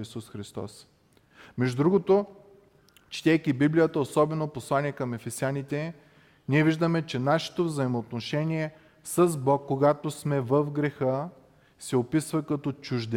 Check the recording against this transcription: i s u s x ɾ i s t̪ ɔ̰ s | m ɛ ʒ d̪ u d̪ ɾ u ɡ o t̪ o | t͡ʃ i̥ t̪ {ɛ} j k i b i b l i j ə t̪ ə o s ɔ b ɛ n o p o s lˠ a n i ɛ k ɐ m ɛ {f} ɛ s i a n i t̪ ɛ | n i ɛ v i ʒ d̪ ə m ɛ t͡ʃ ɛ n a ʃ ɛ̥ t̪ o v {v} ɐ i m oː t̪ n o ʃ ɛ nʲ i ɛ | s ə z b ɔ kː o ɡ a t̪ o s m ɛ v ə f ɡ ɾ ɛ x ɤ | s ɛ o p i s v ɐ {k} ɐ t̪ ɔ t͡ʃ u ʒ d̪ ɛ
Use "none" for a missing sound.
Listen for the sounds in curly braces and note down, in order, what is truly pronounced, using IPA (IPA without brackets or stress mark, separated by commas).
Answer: ɛ, f, z, k